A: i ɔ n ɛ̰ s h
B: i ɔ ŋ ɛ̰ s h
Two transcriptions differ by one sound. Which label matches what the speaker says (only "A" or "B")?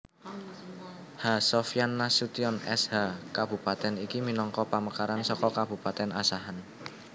A